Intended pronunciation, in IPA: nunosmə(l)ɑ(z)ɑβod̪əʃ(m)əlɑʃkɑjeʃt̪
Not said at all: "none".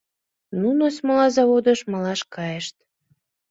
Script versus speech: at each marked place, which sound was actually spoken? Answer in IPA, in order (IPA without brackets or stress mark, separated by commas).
l, z, m